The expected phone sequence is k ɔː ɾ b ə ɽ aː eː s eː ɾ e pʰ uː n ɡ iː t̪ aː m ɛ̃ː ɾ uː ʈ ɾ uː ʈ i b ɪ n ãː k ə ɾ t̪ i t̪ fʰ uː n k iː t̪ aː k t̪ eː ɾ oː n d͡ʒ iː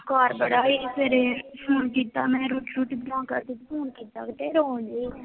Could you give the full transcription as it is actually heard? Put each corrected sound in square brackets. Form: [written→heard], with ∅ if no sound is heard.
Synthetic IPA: k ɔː ɾ b ə ɽ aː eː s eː ɾ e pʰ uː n [ɡ→k] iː t̪ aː m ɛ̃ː ɾ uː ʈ ɾ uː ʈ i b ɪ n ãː k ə ɾ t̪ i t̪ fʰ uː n k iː t̪ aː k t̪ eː ɾ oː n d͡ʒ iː